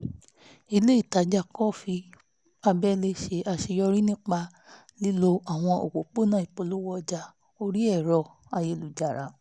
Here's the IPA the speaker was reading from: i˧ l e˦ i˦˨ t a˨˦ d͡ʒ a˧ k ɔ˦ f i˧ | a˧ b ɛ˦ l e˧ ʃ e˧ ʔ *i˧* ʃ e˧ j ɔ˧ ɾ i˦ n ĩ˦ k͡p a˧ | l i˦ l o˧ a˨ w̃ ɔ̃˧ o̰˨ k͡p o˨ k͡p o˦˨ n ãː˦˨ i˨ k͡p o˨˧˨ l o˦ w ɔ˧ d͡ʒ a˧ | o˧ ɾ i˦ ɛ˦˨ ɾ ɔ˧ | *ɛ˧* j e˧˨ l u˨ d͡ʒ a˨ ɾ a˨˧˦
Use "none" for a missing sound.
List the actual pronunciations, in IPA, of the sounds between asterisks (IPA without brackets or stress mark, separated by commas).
a˧, a˧